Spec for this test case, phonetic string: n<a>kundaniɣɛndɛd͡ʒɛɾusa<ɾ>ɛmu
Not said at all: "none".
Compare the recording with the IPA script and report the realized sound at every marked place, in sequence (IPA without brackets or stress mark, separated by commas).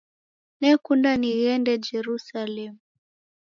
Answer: ɛ, l